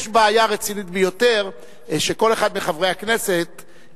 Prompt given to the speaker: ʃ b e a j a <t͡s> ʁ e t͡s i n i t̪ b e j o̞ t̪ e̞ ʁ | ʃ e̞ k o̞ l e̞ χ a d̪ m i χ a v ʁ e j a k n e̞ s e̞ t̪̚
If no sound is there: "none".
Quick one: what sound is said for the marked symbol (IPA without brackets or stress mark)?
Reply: none